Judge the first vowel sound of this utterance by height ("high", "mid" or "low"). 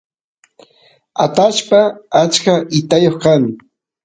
low